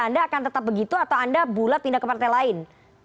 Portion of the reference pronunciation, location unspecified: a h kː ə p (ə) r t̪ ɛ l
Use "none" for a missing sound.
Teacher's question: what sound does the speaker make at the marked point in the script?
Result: a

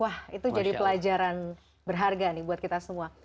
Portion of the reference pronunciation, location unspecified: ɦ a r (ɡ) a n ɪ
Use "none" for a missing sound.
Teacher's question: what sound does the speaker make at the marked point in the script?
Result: ɡ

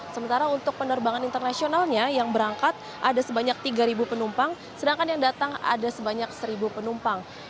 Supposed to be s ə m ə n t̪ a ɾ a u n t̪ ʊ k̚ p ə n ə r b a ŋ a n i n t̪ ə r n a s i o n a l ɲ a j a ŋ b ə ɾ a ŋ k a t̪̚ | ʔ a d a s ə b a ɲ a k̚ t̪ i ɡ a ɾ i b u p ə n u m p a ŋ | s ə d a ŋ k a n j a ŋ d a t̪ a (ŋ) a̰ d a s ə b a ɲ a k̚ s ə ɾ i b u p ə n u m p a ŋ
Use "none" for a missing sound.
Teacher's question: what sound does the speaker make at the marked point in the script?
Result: ŋ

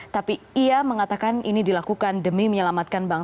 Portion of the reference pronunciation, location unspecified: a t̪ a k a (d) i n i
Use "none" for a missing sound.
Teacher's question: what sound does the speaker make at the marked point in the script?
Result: n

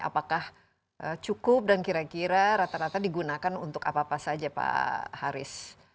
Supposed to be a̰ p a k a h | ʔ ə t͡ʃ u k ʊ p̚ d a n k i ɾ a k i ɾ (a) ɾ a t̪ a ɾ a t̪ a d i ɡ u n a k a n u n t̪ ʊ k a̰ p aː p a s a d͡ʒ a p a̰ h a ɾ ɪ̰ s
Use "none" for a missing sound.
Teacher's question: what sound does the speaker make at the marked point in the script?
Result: a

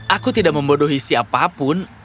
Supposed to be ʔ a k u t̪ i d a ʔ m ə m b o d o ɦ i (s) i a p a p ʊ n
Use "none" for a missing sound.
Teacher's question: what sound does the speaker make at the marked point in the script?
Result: s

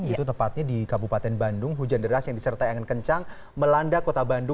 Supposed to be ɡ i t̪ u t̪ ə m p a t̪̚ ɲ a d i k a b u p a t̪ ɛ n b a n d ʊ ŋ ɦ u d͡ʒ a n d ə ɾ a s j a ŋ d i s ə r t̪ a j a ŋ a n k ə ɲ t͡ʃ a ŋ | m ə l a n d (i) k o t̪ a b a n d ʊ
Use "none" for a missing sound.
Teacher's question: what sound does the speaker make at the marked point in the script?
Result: a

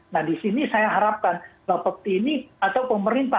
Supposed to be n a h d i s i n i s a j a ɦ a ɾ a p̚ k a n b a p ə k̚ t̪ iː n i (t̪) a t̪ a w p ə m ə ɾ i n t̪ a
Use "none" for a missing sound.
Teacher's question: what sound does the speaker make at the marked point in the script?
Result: none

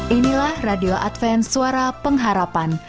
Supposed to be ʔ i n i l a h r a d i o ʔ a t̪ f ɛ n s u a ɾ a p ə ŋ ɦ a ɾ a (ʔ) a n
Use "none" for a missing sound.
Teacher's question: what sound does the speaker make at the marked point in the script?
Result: p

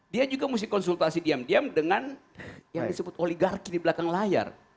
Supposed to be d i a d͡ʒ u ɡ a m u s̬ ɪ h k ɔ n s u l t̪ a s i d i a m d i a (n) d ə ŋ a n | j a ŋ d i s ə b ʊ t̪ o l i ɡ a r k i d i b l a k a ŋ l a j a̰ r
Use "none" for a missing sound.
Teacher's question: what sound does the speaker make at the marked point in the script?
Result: m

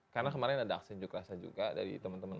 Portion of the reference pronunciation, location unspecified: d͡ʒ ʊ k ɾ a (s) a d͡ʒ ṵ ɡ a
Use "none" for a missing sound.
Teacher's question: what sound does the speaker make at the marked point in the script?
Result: s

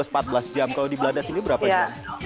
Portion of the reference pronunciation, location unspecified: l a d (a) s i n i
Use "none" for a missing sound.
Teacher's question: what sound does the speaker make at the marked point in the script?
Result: a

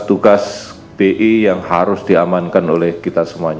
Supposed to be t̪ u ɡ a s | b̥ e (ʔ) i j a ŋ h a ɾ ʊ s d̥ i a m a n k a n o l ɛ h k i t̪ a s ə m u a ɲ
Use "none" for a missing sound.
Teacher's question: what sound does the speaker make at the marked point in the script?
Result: ʔ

